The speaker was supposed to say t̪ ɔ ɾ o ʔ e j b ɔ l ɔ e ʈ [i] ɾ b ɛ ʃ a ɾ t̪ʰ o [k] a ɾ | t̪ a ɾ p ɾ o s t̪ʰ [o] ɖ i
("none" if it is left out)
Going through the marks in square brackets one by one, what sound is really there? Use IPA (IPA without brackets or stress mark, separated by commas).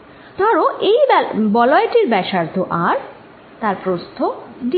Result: i, ʔ, o